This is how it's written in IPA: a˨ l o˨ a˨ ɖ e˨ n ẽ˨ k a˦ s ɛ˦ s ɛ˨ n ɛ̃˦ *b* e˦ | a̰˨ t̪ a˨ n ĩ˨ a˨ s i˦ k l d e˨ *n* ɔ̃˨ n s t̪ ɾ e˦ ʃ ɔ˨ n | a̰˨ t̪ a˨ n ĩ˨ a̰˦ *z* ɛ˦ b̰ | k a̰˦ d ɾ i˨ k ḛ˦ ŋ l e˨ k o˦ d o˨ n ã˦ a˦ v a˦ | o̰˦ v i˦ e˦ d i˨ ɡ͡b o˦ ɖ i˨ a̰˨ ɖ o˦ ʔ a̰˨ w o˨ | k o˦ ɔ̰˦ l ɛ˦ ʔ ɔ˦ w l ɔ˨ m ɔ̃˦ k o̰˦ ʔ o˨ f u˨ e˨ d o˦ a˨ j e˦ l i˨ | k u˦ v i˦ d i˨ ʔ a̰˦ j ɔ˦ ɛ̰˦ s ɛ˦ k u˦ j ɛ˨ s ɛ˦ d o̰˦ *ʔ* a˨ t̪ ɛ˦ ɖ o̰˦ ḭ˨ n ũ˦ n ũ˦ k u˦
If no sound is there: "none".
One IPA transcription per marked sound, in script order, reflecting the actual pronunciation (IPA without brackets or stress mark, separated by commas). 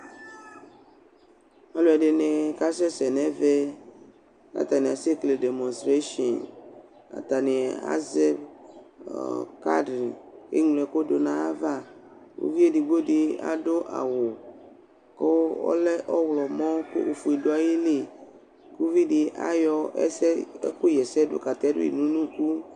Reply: v, m, z, k